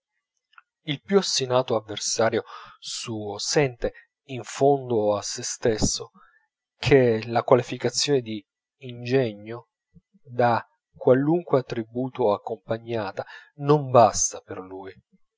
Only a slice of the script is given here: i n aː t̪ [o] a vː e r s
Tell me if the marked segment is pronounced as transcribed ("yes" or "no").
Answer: yes